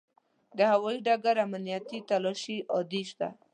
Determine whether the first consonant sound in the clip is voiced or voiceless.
voiced